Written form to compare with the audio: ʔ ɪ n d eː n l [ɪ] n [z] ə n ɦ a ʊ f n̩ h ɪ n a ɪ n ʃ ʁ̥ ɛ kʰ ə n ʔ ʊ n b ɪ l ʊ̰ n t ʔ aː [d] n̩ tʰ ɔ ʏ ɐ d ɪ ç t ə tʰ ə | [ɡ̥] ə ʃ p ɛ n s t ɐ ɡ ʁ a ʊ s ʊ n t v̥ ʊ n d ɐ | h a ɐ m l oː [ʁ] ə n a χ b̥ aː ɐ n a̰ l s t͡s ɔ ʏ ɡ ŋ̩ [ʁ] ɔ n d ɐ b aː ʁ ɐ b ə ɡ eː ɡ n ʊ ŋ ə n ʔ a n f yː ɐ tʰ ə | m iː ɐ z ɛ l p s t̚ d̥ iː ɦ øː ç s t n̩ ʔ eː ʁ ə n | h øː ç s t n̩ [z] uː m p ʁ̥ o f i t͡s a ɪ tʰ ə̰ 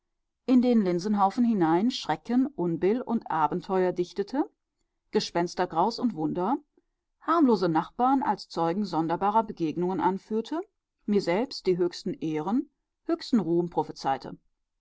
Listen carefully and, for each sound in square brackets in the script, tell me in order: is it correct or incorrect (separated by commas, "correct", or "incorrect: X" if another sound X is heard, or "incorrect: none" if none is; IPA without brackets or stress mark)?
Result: correct, correct, incorrect: b, correct, incorrect: z, incorrect: z, incorrect: ʁ